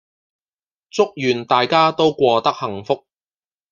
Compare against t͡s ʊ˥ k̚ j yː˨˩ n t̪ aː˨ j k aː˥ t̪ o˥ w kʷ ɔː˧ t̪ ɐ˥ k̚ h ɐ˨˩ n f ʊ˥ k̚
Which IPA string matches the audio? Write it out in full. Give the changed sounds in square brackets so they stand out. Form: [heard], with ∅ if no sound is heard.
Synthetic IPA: t͡s ʊ˥ k̚ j yː˨˩ n t̪ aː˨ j k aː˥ t̪ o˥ w kʷ ɔː˧ t̪ ɐ˥ k̚ h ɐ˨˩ [ŋ] f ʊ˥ k̚